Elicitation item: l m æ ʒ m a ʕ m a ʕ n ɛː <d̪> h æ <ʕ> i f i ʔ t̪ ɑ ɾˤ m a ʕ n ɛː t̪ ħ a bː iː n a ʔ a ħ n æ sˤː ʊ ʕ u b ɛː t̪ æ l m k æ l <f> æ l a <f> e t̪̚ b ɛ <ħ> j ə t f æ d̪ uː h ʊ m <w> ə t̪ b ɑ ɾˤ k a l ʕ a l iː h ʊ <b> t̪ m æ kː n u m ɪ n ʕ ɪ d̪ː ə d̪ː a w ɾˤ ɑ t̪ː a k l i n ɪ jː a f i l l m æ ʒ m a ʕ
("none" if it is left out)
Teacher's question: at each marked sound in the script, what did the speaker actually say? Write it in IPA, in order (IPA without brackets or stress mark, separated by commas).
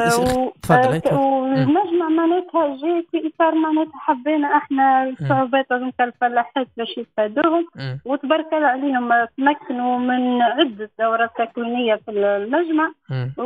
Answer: t̪, ʒ, f, ħ, ʃ, w, m